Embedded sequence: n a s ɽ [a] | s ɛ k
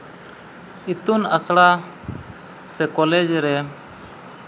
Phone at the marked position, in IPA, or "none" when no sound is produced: a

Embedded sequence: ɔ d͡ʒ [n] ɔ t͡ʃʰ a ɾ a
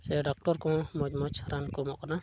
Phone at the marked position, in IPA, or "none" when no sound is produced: m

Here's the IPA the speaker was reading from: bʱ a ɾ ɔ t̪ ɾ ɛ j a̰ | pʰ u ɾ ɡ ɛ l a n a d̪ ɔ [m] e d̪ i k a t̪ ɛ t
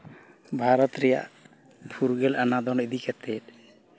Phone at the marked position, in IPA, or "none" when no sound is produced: n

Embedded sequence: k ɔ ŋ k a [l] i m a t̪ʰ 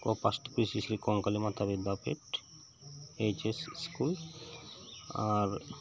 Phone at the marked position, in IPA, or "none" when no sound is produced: l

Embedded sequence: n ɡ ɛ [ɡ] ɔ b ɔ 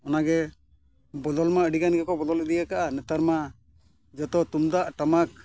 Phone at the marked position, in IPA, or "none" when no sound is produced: k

